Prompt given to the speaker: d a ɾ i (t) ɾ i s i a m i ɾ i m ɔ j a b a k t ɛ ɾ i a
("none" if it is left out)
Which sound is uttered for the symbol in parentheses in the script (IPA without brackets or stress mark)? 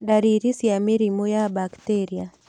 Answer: none